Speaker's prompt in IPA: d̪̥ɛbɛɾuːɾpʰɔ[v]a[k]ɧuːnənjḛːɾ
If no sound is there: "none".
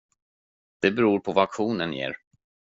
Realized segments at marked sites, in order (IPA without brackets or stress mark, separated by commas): v, k